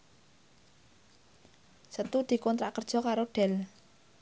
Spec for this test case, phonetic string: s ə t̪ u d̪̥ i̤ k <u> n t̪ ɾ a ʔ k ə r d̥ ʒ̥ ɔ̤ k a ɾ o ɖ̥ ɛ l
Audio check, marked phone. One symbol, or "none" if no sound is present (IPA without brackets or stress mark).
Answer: ɔ